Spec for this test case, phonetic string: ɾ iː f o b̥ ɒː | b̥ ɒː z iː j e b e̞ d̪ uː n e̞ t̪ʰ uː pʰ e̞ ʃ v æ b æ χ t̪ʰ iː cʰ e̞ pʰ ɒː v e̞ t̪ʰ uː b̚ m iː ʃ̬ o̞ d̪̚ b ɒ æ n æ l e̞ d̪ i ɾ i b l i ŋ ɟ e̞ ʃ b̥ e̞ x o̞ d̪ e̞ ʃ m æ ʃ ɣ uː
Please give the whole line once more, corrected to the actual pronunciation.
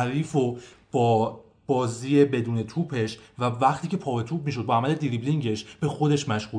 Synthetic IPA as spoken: ɾ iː f o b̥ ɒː | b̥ ɒː z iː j e b e̞ d̪ uː n e̞ t̪ʰ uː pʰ e̞ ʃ v æ v æ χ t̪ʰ iː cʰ e̞ pʰ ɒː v e̞ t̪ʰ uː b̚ m iː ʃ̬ o̞ d̪̚ b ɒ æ m æ l e̞ d̪ i ɾ i b l i ŋ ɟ e̞ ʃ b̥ e̞ x o̞ d̪ e̞ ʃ m æ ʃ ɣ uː